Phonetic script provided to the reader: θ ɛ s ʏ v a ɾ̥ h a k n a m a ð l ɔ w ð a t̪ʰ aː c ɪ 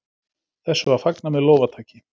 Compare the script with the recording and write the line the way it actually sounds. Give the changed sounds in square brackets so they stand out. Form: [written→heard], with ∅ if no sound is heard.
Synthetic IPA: θ ɛ [s→sː] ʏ v a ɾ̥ [h→f] a k n a m [a→ɛ] ð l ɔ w [ð→v] a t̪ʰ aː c ɪ